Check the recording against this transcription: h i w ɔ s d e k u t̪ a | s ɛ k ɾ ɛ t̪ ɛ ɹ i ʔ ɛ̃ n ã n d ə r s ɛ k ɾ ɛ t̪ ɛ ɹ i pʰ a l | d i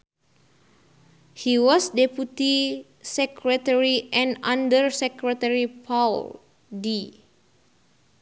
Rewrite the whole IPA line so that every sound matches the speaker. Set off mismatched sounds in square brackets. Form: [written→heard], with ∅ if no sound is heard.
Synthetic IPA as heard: h i w ɔ s d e [k→p] u t̪ [a→i] | s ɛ k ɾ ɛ t̪ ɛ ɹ i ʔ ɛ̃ n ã n d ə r s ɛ k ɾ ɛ t̪ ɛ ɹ i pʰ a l | d i